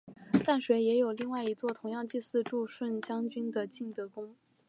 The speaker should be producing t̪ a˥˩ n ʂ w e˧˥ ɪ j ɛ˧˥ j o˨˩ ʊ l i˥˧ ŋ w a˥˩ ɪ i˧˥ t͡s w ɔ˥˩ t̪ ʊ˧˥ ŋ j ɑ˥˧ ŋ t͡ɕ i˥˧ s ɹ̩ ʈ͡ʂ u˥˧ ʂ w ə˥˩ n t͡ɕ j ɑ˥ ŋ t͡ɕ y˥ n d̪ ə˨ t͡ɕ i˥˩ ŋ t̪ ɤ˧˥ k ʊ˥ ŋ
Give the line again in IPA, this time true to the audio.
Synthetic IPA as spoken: t̪ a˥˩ n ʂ w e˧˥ ɪ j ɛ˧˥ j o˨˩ ʊ l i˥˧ ŋ w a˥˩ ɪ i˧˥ t͡s w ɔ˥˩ t̪ʰ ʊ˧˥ ŋ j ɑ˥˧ ŋ t͡ɕ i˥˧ s ɹ̩ ʈ͡ʂ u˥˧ ʂ w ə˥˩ n t͡ɕ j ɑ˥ ŋ t͡ɕ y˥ n d̪ ə˨ t͡ɕ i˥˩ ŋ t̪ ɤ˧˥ k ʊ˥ ŋ